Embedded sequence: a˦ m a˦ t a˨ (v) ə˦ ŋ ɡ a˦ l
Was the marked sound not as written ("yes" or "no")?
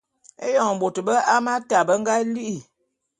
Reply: yes